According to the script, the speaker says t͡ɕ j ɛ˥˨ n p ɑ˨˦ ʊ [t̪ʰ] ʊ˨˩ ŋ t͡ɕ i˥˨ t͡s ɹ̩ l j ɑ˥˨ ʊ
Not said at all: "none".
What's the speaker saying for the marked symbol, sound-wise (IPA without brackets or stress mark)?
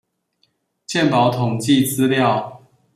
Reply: t̪ʰ